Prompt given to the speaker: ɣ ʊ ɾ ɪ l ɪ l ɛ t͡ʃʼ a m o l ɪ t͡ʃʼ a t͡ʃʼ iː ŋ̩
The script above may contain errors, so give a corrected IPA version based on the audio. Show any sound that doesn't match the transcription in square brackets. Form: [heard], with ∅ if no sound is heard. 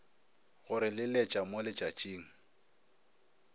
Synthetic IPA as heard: ɣ ʊ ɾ ɪ l ɪ l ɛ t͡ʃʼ a m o l ɪ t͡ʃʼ a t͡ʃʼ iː ŋ̩